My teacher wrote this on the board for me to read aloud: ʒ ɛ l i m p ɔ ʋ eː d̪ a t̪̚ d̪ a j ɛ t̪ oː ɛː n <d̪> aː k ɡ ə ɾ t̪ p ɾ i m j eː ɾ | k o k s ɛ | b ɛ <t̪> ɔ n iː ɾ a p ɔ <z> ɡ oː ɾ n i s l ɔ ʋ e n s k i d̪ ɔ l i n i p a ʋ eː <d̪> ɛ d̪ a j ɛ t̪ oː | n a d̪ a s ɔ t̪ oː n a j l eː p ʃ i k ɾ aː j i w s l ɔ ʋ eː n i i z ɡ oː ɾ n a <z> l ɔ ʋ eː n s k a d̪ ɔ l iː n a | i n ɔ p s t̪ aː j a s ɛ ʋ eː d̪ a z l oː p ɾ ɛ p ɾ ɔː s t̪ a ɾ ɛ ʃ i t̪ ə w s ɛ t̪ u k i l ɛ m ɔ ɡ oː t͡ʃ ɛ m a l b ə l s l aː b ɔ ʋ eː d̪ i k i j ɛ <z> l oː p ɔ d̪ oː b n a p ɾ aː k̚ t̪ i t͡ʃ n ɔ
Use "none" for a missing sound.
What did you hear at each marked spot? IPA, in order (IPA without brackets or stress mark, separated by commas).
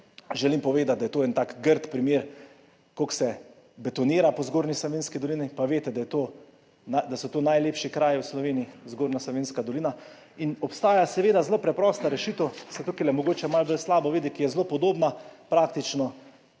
t̪, t̪, z, t̪, s, z